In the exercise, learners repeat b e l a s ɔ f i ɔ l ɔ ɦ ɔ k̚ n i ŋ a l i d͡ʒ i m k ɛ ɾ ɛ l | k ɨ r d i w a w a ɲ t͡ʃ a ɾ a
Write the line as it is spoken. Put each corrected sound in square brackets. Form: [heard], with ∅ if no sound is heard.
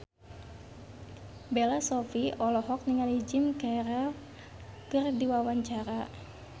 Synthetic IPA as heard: b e l a s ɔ f i ɔ l ɔ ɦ ɔ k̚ n i ŋ a l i d͡ʒ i m k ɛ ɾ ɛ l | k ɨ r d i w a w a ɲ t͡ʃ a ɾ a

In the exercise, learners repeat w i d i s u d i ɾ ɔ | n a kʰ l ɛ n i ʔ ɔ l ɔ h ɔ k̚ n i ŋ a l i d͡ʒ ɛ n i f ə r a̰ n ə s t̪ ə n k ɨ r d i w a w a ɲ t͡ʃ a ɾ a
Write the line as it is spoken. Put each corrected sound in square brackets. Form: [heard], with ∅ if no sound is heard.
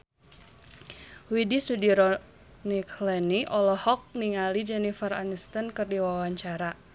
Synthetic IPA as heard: w i d i s u d i ɾ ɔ | n [i] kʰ l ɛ n i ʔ ɔ l ɔ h ɔ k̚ n i ŋ a l i d͡ʒ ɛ n i f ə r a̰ n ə s t̪ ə n k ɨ r d i w a w a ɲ t͡ʃ a ɾ a

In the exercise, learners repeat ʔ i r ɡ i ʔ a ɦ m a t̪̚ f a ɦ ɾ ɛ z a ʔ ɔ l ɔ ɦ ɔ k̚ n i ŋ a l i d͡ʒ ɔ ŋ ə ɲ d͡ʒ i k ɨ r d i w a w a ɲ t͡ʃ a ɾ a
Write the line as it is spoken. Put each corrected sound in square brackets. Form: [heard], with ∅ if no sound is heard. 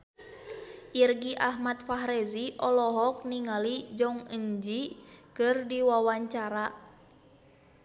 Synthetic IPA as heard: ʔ i r ɡ i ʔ a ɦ m a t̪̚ f a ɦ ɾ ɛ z [i] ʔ ɔ l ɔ ɦ ɔ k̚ n i ŋ a l i d͡ʒ ɔ ŋ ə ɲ d͡ʒ i k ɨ r d i w a w a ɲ t͡ʃ a ɾ a

